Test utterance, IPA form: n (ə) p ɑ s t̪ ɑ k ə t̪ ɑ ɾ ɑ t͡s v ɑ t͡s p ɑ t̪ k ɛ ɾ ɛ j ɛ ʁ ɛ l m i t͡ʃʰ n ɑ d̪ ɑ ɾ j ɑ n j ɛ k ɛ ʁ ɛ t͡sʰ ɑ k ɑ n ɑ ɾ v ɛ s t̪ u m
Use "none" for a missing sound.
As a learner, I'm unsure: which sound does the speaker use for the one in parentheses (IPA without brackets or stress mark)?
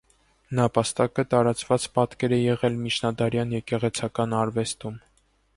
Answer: ɑ